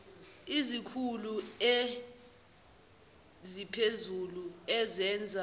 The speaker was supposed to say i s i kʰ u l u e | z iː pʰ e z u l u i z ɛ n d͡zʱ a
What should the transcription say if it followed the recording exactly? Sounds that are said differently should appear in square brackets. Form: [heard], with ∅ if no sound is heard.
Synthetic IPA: i [z] i kʰ u l u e | z [i] pʰ e z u l u [ɛ] z ɛ n d͡zʱ a